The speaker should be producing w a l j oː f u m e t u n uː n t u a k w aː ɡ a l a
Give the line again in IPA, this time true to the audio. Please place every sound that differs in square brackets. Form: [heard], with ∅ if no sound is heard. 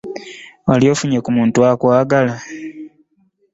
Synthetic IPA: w a l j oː f u [ɲ] e [k] u [m] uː n t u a k w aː ɡ a l a